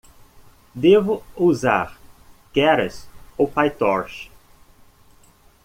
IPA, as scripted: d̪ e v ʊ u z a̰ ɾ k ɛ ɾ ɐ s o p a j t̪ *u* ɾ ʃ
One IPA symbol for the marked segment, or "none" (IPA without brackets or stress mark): ɔ